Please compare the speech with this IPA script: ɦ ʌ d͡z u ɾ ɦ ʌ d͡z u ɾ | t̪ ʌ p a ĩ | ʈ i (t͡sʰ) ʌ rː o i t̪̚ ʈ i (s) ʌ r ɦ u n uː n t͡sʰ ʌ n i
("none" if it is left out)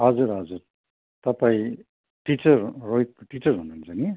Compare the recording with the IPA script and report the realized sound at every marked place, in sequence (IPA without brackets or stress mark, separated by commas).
t͡s, t͡s